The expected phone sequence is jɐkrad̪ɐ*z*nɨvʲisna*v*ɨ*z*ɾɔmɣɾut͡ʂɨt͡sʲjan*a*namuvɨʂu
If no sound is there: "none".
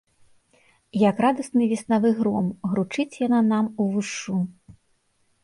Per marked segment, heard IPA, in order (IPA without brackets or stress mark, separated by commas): s, v, ɣ, a